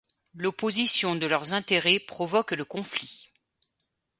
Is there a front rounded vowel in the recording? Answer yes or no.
yes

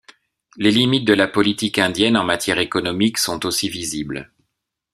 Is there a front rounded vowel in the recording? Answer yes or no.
no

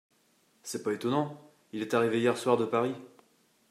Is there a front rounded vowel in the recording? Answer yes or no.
no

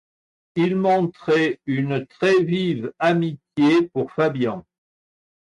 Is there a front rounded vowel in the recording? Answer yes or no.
yes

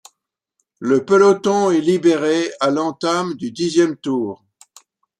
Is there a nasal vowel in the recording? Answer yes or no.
yes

